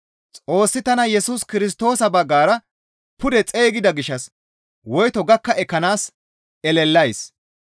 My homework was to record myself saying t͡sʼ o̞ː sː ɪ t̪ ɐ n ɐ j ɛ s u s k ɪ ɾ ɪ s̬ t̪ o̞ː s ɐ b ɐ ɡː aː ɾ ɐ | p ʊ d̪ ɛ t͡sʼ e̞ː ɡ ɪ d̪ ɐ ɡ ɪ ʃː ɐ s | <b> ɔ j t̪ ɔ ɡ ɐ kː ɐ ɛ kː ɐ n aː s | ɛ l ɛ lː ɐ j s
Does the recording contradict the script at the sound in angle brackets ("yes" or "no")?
yes